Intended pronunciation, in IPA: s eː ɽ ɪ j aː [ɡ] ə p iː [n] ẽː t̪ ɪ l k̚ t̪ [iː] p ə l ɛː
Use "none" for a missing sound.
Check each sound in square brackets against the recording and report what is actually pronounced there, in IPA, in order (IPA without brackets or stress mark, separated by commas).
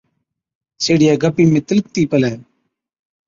ɡ, m, iː